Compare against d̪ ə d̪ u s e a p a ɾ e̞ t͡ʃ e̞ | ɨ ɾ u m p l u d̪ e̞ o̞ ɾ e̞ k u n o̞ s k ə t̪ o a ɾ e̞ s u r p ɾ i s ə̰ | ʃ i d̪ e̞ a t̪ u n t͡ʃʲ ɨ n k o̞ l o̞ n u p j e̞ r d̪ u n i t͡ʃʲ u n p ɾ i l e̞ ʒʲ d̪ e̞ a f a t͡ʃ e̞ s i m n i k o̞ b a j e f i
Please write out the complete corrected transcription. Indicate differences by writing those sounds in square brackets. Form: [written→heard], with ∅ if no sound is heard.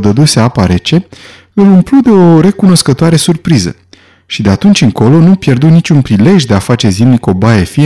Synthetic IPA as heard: d̪ ə d̪ u s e a p a ɾ e̞ t͡ʃ e̞ | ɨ [ɾ→l] u m p l u d̪ e̞ o̞ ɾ e̞ k u n o̞ s k ə t̪ o a ɾ e̞ s u r p ɾ i [s→z] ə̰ | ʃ i d̪ e̞ a t̪ u n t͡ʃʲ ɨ [n→ŋ] k o̞ l o̞ n u p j e̞ r d̪ u n i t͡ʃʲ u n p ɾ i l e̞ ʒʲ d̪ e̞ a f a t͡ʃ e̞ [s→z] i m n i k o̞ b a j e f i